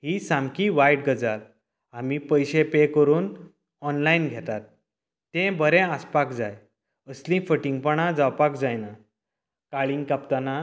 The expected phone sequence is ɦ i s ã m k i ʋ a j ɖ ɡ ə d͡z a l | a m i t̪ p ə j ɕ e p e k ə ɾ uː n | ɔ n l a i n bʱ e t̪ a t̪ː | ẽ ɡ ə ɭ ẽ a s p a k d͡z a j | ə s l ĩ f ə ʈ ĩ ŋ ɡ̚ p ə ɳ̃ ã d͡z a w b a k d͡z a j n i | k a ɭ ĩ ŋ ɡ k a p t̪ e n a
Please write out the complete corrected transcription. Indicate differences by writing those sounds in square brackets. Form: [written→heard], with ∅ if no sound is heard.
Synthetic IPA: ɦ i s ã m k i ʋ a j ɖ ɡ ə d͡z a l | a m i [t̪→∅] p ə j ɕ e p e k ə ɾ uː n | ɔ n l a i n [bʱ→ɡʱ] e t̪ a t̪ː | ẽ [ɡ→b] ə [ɭ→ɾ] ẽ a s p a k d͡z a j | ə s l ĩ f ə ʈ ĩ ŋ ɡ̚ p ə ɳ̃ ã d͡z a w [b→p] a k d͡z a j n [i→a] | k a ɭ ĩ ŋ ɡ k a p t̪ [e→a] n a